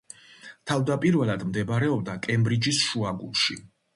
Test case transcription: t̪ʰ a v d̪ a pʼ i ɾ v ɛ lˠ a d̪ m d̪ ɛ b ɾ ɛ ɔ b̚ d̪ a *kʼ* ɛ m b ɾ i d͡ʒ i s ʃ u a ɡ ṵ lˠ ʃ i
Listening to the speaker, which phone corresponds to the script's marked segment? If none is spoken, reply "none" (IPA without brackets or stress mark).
kʼ